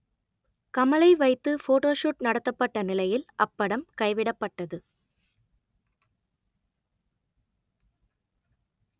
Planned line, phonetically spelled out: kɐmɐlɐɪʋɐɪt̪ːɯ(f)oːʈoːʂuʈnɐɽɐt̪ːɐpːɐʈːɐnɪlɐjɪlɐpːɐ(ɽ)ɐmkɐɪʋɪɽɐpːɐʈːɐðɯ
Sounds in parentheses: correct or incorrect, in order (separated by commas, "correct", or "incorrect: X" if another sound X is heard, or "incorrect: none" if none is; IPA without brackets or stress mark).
correct, correct